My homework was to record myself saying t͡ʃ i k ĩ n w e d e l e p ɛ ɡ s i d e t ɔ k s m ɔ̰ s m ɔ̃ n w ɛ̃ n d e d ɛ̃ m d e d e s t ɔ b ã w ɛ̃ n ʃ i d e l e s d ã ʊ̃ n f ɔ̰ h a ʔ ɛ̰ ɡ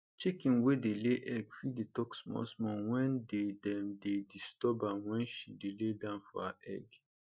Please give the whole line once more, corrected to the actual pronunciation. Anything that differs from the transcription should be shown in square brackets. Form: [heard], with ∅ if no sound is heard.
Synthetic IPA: t͡ʃ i k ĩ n w e d e l e [ʔ] ɛ ɡ [f] i d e t ɔ k s m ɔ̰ s m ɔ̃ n w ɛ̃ n d e d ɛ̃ m d e d [i] s t ɔ b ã w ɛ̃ n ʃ i d e l e [∅] d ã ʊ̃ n f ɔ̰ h a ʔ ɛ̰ ɡ